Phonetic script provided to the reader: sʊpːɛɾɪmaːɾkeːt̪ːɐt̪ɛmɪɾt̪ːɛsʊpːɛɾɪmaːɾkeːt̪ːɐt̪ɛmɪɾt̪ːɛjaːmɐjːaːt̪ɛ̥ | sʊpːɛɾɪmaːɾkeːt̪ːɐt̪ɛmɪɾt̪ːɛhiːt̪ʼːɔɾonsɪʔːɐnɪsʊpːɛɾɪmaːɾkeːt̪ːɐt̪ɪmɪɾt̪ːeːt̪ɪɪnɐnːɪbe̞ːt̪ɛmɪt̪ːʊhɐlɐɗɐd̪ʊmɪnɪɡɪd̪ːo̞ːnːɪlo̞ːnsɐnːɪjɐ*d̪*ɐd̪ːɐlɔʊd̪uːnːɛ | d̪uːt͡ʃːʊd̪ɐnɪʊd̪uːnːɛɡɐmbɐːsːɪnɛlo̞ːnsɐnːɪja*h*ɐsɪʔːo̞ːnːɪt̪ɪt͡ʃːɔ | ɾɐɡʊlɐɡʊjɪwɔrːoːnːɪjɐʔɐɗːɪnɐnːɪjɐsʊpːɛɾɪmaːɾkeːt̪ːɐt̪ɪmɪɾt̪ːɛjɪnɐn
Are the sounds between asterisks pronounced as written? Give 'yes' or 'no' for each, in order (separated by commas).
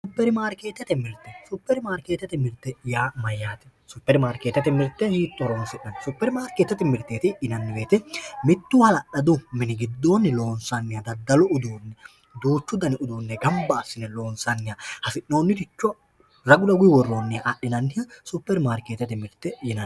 yes, yes